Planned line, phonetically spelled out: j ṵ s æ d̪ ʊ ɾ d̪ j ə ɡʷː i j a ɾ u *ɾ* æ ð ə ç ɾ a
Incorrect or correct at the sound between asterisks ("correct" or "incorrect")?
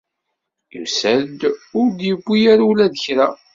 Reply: incorrect